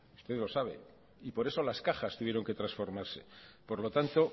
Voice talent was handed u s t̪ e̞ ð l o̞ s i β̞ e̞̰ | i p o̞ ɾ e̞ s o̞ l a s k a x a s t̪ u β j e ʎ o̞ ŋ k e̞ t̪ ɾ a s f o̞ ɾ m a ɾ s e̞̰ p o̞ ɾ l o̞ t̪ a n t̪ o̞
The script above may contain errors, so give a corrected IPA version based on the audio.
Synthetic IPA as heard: u s t̪ e̞ ð l o̞ s a β̞ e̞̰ | i p o̞ ɾ e̞ s o̞ l a s k a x a s t̪ u β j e ɾ o̞ ŋ k e̞ t̪ ɾ a s f o̞ ɾ m a ɾ s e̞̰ p o̞ ɾ l o̞ t̪ a n t̪ o̞